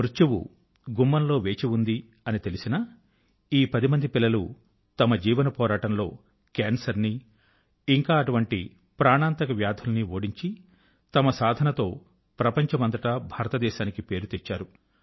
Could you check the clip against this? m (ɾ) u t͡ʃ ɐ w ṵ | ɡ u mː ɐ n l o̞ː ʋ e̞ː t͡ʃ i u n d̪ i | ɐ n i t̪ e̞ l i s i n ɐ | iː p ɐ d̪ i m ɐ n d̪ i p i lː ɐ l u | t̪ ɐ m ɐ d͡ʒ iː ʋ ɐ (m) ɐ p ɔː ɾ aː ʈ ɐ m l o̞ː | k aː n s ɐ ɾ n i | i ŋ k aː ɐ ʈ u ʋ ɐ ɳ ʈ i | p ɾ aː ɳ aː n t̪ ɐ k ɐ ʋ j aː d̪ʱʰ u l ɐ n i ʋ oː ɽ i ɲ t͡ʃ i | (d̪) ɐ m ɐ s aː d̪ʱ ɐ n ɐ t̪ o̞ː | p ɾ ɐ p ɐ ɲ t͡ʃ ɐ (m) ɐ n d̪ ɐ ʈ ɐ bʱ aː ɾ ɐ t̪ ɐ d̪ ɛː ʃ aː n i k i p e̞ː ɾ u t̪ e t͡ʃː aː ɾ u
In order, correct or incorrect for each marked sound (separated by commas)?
correct, incorrect, incorrect, correct